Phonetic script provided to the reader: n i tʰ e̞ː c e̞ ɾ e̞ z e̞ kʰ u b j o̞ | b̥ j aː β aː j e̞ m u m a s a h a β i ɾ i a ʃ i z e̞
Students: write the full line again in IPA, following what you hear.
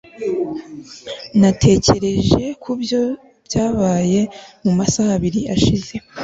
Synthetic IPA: n a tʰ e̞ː c e̞ ɾ e̞ ʒ e̞ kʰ u b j o̞ | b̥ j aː β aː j e̞ m u m a s a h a β i ɾ i a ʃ i z e̞

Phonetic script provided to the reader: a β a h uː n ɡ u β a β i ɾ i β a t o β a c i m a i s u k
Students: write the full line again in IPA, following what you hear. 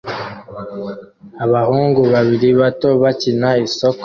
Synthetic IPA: a β a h uː ŋ ɡ u β a β i ɾ i β a t o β a c i n a i s o k

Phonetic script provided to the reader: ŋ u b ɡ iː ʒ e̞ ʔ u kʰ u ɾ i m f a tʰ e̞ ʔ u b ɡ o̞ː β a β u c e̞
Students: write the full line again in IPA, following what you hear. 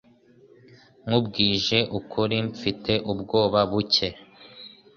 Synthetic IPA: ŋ u b ɡ iː ʒ e̞ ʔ u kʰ u ɾ i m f i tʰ e̞ ʔ u b ɡ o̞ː β a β u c e̞

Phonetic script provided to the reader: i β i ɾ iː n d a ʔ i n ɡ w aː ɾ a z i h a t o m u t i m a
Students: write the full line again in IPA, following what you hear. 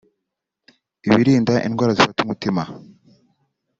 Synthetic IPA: i β i ɾ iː n d a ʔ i n ɡ w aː ɾ a z i f a t u m u t i m a

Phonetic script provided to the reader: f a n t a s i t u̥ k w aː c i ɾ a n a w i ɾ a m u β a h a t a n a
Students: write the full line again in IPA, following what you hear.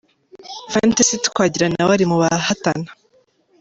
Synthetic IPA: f a n t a s i t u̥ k w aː ɟ i ɾ a n a w a ɾ i m u β a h a t a n a

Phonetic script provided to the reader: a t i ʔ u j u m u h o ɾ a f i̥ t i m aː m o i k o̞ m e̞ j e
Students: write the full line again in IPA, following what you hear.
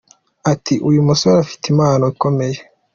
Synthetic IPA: a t i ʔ u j u m u s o ɾ a f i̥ t i m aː n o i k o̞ m e̞ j e

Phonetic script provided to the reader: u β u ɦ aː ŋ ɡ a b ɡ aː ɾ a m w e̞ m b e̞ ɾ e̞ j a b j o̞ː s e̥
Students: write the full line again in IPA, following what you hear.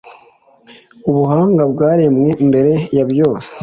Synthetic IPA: u β u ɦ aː ŋ ɡ a b ɡ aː ɾ e m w e̞ m b e̞ ɾ e̞ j a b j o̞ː s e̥

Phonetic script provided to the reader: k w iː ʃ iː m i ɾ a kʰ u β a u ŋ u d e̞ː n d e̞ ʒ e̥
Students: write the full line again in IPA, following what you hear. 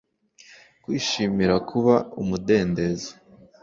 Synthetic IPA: k w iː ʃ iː m i ɾ a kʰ u β a u m u d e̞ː n d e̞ z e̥

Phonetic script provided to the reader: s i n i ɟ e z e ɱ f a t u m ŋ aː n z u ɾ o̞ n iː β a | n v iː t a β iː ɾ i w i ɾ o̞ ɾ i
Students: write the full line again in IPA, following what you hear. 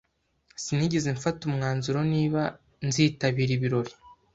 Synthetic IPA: s i n i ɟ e z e ɱ f a t u m ŋ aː n z u ɾ o̞ n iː β a | n z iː t a β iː ɾ i β i ɾ o̞ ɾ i

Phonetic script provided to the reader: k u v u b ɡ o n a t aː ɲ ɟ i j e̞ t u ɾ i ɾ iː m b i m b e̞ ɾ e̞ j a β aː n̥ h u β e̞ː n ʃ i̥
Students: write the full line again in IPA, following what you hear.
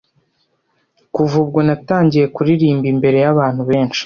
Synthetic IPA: k u v u b ɡ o n a t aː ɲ ɟ i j e̞ k u ɾ i ɾ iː m b i m b e̞ ɾ e̞ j a β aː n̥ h u β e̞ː n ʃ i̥

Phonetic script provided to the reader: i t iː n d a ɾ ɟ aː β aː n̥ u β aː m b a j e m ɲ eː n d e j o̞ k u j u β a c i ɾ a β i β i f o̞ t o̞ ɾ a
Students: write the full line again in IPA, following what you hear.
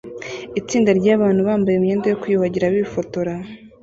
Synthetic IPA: i t͡s iː n d a ɾ ɟ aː β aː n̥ u β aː m b a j e m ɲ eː n d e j o̞ k u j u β a ɟ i ɾ a β i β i f o̞ t o̞ ɾ a

